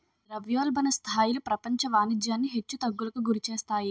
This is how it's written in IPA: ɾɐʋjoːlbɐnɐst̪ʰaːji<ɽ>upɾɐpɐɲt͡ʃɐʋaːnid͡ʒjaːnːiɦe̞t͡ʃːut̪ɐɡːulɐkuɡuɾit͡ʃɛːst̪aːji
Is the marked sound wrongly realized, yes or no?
yes